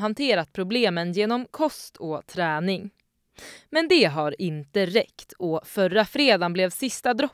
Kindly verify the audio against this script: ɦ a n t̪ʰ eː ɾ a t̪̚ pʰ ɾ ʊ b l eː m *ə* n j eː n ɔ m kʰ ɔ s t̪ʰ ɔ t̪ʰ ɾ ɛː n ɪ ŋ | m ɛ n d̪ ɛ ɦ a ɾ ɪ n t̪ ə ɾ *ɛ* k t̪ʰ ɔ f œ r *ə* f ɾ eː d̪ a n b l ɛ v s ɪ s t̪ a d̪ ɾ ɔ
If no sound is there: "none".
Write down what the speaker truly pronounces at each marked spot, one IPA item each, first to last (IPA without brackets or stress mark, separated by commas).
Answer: ə, ɛ, a